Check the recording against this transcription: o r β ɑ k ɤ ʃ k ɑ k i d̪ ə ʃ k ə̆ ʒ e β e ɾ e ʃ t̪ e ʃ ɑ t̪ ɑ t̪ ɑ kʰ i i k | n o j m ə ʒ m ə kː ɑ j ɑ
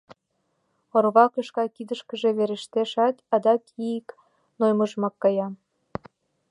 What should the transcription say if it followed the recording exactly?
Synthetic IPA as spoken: o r β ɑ k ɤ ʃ k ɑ k i d̪ ə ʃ k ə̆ ʒ e β e ɾ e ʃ t̪ e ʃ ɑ t̪ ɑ d̪ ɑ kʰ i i k | n o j m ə ʒ m ɑ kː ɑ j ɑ